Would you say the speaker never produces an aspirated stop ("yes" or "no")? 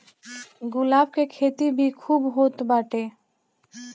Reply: no